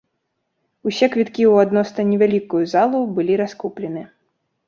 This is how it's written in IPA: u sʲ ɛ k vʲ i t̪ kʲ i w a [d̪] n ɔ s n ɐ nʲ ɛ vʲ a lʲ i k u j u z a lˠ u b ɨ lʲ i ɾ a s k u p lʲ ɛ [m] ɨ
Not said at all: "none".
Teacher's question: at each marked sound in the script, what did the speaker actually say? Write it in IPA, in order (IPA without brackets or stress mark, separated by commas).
d̪, n